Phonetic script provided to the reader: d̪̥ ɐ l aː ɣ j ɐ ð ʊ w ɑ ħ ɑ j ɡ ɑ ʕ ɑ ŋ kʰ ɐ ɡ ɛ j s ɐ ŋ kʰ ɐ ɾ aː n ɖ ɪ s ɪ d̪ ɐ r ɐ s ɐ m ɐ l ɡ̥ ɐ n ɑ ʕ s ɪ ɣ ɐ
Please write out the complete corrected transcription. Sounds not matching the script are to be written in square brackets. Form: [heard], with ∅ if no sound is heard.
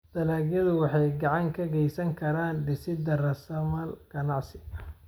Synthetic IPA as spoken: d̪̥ ɐ l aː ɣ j ɐ ð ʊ w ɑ ħ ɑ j ɡ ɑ ʕ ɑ ŋ kʰ ɐ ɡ ɛ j s ɐ ŋ kʰ ɐ ɾ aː n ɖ ɪ s ɪ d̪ ɐ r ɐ s ɐ m ɐ l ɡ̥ ɐ n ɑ ʕ s ɪ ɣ ɐ